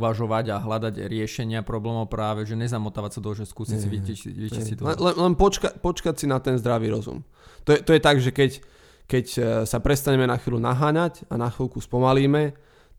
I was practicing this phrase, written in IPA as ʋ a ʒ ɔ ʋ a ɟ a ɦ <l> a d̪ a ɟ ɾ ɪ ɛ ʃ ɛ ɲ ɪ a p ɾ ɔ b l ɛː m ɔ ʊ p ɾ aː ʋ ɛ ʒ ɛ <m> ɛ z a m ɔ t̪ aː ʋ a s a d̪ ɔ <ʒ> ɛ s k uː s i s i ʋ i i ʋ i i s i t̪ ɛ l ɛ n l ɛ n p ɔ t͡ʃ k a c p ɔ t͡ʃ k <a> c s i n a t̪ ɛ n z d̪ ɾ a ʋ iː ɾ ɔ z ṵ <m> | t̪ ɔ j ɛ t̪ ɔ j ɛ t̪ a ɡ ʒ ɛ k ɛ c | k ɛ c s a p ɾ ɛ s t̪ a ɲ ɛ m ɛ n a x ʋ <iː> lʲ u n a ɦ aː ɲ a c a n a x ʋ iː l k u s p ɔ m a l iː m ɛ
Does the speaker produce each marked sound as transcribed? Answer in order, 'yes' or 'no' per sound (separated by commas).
yes, no, yes, yes, yes, yes